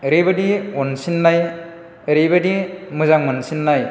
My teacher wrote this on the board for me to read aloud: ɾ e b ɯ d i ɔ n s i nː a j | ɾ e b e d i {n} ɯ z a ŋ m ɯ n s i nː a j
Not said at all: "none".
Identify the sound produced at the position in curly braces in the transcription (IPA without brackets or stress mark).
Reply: m